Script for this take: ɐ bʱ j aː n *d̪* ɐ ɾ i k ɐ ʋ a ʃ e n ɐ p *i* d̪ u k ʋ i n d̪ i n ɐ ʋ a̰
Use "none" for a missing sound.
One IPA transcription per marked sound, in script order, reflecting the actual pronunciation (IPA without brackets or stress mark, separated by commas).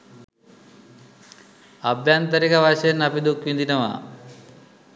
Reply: t̪, i